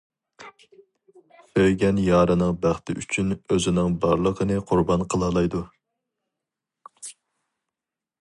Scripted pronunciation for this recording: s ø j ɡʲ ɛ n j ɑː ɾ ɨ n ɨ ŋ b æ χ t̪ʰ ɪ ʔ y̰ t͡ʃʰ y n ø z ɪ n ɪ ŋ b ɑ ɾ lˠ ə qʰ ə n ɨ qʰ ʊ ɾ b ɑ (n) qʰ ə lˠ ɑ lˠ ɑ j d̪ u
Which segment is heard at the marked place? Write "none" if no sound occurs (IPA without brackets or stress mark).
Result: n